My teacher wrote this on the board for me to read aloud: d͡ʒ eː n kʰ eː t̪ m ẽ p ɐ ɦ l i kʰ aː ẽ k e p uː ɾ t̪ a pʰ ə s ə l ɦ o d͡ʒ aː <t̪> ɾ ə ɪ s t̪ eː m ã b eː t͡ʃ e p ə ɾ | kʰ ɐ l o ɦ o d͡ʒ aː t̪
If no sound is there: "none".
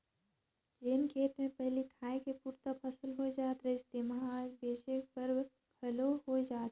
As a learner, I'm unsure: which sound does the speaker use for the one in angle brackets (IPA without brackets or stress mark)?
t̪